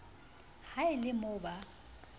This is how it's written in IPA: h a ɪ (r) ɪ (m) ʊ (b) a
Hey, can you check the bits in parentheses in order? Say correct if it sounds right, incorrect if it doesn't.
incorrect, correct, correct

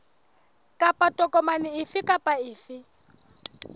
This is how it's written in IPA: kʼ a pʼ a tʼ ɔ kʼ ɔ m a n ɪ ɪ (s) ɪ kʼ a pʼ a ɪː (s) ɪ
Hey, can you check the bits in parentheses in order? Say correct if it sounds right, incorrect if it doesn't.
incorrect, incorrect

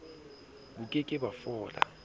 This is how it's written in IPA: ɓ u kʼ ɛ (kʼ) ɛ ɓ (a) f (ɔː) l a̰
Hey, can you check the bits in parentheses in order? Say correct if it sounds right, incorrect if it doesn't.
correct, correct, correct

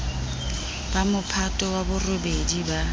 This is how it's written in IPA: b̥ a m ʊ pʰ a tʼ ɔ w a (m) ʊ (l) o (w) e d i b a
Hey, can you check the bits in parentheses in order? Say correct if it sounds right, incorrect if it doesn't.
incorrect, incorrect, incorrect

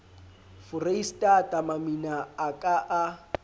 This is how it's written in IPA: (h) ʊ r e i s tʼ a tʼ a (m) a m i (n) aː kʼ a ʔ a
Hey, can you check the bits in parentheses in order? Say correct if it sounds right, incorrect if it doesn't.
incorrect, correct, correct

